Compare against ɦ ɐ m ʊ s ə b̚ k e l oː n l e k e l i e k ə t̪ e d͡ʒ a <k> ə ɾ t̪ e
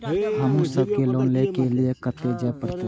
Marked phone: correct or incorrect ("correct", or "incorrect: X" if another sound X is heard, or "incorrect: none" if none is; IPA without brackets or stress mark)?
incorrect: p